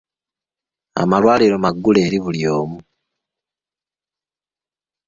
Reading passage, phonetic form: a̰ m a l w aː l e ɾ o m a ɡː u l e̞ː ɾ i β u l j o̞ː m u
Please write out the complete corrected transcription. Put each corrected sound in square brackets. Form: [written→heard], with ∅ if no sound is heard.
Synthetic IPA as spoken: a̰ m a l w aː l [e→i] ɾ o m a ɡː u l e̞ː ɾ i β u l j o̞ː m u